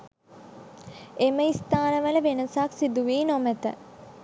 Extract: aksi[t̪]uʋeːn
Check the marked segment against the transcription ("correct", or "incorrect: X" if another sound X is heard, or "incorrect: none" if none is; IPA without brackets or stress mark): incorrect: d̪